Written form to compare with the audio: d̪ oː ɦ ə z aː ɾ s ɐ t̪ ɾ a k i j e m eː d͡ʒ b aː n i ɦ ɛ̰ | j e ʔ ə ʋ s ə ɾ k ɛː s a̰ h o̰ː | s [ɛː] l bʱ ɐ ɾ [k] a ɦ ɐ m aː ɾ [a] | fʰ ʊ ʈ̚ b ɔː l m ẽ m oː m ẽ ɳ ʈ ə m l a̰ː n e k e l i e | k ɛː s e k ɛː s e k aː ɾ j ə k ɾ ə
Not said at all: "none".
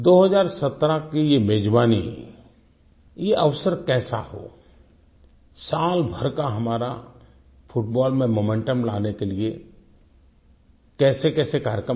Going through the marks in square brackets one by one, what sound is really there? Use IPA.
aː, k, a

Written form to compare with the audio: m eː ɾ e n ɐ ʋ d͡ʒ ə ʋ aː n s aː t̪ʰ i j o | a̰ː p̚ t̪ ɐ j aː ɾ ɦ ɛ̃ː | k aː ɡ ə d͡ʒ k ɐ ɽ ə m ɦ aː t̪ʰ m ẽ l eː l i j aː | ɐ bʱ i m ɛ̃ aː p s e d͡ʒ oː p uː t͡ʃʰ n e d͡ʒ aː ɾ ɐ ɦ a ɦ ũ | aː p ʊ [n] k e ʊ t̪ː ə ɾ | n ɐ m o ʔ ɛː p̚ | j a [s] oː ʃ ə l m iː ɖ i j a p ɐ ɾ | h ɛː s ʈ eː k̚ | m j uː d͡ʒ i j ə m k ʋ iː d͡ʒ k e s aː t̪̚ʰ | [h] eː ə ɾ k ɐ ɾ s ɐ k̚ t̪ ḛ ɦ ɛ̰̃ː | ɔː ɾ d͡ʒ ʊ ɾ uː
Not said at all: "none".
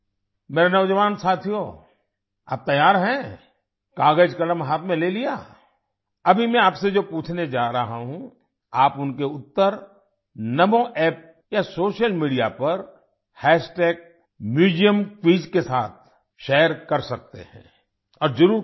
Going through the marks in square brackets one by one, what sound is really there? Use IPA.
n, s, ʃ

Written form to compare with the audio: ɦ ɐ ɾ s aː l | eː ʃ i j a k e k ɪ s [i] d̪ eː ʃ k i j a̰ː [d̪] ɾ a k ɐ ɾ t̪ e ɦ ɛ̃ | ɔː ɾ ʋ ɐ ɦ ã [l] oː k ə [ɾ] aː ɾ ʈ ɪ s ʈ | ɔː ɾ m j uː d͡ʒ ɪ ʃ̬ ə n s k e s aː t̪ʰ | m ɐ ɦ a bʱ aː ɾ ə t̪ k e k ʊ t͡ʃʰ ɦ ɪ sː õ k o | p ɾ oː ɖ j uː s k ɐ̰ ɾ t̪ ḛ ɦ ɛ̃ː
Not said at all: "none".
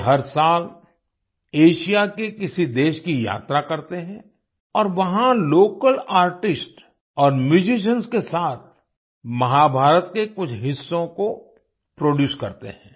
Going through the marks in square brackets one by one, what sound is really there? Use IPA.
i, t̪, l, l

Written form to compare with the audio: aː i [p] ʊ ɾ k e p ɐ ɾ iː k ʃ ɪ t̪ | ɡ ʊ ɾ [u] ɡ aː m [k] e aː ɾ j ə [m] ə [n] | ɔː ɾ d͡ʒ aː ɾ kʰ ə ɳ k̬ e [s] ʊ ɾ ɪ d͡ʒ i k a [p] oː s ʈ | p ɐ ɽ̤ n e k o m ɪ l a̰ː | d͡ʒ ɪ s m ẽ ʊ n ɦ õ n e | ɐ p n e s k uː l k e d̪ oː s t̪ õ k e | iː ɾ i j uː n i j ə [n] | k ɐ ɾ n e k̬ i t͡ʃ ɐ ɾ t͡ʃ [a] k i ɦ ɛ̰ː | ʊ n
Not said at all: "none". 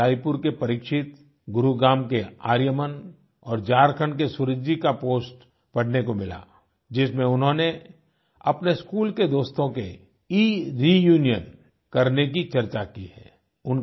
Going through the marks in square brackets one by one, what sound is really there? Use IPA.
p, u, k, m, n, s, p, n, a

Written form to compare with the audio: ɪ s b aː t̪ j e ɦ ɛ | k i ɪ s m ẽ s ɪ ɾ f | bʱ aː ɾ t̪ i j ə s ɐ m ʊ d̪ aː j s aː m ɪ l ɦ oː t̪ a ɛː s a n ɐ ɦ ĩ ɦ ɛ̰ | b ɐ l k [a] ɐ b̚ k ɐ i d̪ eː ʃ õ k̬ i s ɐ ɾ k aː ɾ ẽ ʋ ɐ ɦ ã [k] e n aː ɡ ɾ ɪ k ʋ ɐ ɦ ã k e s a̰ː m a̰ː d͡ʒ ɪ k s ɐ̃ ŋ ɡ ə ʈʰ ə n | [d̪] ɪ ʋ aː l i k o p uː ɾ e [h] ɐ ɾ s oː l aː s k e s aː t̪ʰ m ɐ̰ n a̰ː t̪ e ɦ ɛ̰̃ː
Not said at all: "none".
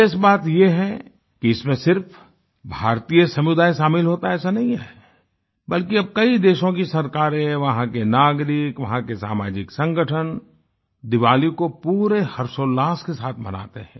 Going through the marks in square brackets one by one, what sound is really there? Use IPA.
i, k, d̪, h

